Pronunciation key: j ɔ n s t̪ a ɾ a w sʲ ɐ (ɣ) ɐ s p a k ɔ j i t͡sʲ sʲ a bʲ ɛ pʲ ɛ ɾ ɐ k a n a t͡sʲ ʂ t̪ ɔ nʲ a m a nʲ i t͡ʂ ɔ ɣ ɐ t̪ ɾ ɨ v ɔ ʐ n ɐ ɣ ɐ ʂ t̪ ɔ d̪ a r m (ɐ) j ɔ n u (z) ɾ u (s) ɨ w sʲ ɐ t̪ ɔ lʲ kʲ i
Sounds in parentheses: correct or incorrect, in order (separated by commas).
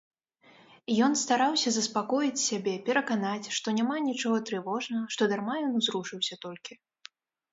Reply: incorrect, incorrect, correct, incorrect